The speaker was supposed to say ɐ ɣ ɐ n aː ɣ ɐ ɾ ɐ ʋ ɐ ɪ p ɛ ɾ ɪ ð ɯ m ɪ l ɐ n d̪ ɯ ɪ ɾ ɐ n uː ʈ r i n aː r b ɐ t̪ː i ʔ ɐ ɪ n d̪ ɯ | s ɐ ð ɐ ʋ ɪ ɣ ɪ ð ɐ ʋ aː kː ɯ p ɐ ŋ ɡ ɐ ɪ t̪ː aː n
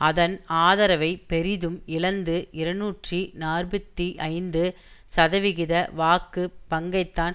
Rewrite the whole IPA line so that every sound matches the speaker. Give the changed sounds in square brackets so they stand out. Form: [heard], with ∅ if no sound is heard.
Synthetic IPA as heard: ɐ [ð] ɐ n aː [ð] ɐ ɾ ɐ ʋ ɐ ɪ p ɛ ɾ ɪ ð ɯ m ɪ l ɐ n d̪ ɯ ɪ ɾ ɐ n uː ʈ r i n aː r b ɐ t̪ː i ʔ ɐ ɪ n d̪ ɯ | s ɐ ð ɐ ʋ ɪ ɣ ɪ ð ɐ ʋ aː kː ɯ p ɐ ŋ ɡ ɐ ɪ t̪ː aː n